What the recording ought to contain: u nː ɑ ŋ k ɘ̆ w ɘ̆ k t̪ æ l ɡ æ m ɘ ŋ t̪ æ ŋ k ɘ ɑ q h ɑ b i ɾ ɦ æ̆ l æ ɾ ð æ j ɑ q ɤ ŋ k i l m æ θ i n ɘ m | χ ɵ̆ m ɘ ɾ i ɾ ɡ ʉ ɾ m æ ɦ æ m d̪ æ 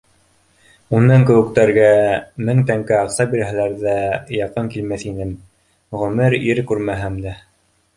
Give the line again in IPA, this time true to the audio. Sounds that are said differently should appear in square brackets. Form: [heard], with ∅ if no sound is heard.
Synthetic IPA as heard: u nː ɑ ŋ k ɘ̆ w ɘ̆ k t̪ æ [ɾ] ɡ æ m ɘ ŋ t̪ æ ŋ k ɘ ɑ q [s] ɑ b i ɾ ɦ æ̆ l æ ɾ ð æ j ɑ q ɤ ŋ k i l m æ θ i n ɘ m | [ʁ] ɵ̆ m ɘ ɾ i ɾ [k] ʉ ɾ m æ ɦ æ m d̪ æ